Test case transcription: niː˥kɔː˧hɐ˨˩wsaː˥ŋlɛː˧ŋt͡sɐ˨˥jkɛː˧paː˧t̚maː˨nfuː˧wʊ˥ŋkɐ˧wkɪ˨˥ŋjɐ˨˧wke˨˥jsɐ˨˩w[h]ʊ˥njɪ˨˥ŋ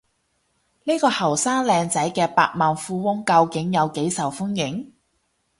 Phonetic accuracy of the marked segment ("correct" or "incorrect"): incorrect